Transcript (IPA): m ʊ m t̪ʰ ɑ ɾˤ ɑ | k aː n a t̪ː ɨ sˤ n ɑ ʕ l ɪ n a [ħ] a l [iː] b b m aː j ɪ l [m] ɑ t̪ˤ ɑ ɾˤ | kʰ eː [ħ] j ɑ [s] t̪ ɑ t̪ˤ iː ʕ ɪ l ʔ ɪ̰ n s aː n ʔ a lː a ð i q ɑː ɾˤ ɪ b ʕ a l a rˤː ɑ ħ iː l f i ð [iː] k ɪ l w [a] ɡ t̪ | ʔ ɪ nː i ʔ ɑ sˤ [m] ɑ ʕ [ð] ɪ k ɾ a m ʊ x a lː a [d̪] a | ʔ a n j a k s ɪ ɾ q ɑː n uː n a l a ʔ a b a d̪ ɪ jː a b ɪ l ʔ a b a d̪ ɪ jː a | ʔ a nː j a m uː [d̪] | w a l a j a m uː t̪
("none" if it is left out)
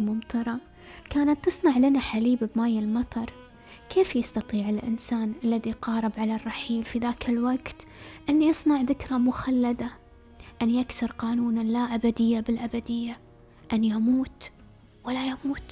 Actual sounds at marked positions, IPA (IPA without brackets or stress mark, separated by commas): ħ, iː, m, f, s, aː, a, n, ð, d̪, t̪